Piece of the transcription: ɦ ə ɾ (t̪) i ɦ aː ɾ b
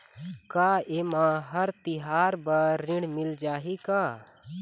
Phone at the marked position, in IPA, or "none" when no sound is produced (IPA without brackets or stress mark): t̪